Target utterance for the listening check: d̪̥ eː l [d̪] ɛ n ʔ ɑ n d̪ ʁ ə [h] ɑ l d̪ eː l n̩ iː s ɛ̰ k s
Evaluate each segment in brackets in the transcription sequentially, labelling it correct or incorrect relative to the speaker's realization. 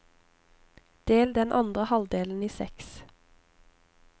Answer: correct, correct

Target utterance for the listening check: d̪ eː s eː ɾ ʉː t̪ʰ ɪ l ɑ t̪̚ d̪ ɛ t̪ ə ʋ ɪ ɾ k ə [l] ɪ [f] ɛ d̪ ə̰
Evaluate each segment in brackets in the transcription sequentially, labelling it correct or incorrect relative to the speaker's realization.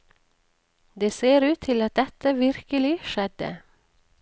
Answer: correct, incorrect

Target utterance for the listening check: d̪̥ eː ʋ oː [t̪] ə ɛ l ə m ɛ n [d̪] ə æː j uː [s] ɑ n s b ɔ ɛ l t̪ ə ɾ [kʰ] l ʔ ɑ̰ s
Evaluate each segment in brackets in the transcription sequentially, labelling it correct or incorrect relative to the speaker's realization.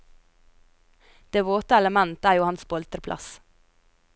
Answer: correct, incorrect, incorrect, incorrect

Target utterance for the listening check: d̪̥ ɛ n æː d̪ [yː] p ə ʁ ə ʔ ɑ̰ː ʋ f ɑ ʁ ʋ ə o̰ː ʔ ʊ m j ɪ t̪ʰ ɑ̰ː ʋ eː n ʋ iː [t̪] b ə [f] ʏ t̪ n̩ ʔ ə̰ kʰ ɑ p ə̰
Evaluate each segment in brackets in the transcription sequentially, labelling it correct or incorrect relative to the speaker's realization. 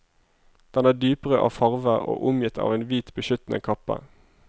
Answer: correct, correct, incorrect

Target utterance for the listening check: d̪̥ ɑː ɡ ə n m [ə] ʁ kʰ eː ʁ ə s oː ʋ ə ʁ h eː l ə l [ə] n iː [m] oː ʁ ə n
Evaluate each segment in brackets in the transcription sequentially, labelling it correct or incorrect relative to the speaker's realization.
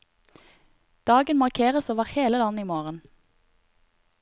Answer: incorrect, incorrect, correct

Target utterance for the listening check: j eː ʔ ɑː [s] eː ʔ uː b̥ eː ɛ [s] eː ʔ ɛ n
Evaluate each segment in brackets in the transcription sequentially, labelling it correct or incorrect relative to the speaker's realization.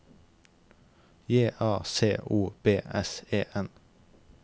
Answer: correct, correct

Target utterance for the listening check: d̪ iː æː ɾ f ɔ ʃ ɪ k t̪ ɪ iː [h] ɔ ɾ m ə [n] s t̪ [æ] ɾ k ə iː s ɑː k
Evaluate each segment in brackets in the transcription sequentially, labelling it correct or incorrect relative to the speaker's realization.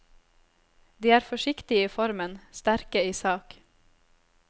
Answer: incorrect, correct, correct

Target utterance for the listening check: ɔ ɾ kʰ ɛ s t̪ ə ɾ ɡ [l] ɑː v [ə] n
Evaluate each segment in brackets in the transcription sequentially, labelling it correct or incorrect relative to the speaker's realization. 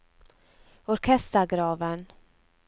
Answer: incorrect, correct

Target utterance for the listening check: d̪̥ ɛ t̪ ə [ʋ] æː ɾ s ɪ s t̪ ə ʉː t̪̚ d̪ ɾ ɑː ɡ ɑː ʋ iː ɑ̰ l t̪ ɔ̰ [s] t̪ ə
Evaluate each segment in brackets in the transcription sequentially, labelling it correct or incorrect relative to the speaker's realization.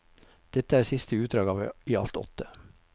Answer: incorrect, incorrect

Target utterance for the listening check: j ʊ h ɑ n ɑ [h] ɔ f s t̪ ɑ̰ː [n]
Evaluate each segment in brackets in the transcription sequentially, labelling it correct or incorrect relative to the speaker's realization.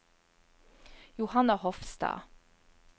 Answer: correct, incorrect

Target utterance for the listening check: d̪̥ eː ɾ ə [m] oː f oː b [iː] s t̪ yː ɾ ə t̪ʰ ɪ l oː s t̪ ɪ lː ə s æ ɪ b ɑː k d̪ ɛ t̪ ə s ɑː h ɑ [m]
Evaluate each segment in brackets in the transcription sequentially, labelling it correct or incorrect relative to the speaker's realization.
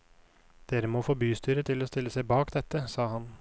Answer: correct, incorrect, incorrect

